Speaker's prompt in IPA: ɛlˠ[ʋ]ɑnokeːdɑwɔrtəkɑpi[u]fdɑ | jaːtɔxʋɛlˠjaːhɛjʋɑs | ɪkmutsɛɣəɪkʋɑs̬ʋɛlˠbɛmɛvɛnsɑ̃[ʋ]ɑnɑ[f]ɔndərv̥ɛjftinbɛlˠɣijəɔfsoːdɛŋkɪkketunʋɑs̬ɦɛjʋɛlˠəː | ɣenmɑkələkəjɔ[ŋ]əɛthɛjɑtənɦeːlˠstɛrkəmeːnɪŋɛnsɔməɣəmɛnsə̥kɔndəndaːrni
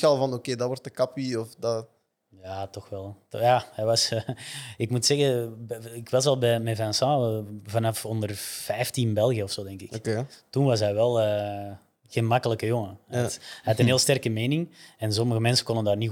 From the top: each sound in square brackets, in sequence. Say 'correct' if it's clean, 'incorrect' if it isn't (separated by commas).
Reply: incorrect, incorrect, incorrect, correct, correct